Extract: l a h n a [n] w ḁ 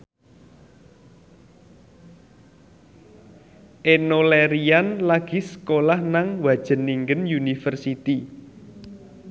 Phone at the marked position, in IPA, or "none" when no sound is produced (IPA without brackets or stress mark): ŋ